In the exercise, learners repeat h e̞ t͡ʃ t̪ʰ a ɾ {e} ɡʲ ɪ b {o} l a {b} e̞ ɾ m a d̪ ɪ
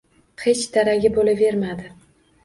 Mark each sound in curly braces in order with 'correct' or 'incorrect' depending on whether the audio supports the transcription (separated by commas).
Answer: incorrect, correct, incorrect